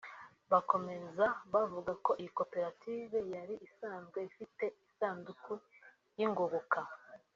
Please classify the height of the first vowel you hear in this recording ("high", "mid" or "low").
low